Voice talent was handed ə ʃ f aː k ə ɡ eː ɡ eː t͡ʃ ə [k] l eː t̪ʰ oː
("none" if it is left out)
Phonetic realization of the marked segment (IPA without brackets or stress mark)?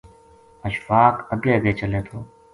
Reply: none